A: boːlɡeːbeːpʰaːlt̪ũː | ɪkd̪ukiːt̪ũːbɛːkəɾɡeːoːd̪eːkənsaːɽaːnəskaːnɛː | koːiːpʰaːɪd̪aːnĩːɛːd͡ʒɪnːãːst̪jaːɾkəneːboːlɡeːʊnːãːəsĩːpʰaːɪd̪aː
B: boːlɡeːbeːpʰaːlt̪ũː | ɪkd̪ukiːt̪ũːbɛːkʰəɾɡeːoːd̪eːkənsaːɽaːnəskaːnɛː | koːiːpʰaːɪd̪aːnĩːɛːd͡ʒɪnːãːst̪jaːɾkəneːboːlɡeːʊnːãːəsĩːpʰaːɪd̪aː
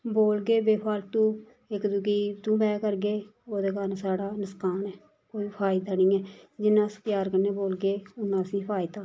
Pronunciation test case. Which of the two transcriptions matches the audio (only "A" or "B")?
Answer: A